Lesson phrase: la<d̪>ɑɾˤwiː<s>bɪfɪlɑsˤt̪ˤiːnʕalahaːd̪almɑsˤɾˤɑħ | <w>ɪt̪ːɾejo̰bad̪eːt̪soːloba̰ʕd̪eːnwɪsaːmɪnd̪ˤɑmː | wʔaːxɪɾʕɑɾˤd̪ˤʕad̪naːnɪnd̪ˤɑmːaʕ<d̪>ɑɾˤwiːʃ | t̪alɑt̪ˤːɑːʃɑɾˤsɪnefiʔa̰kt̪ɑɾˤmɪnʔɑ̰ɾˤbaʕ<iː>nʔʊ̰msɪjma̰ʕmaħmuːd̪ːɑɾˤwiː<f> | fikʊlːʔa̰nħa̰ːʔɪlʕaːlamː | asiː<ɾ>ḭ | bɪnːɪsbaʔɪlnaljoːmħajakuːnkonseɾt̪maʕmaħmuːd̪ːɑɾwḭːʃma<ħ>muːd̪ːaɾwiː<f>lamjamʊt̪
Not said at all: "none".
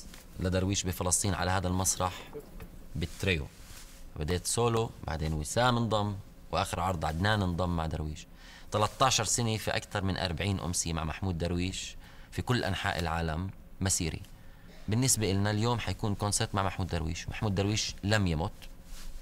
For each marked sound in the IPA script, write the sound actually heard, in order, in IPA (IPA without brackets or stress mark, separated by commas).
d̪, ʃ, b, d̪, iː, ʃ, ɾ, ħ, ʃ